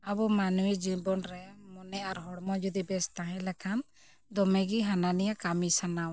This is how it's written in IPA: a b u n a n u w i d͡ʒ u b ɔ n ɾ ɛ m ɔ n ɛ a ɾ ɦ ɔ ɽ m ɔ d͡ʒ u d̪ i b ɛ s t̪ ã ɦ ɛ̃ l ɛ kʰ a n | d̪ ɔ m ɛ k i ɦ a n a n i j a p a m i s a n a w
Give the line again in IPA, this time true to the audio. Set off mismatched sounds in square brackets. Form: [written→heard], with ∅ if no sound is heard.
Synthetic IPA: a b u [n→m] a n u w i d͡ʒ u b ɔ n ɾ ɛ m ɔ n ɛ a ɾ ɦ ɔ ɽ m ɔ d͡ʒ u d̪ i b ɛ s t̪ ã ɦ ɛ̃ l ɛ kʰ a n | d̪ ɔ m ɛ [k→ɡ] i ɦ a n a n i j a [p→k] a m i s a n a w